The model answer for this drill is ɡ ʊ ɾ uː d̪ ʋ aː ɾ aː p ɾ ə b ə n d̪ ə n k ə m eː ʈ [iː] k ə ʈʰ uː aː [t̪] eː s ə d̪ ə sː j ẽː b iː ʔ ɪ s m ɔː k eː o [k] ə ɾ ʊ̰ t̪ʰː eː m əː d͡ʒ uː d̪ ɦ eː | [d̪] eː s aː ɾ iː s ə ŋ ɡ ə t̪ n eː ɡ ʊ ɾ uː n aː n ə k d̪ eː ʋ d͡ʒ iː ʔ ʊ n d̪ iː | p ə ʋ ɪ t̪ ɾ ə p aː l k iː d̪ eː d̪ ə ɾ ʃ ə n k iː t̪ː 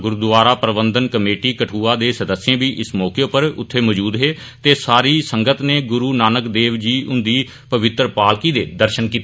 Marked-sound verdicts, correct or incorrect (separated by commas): correct, incorrect, incorrect, incorrect